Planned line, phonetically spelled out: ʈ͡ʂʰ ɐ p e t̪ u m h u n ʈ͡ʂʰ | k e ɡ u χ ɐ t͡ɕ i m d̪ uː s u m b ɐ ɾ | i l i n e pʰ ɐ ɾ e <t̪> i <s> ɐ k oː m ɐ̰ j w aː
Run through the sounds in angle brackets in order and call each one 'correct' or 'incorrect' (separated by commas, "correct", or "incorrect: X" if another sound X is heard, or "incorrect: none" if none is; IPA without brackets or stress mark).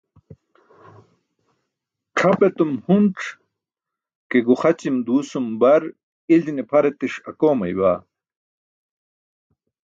correct, incorrect: ʂ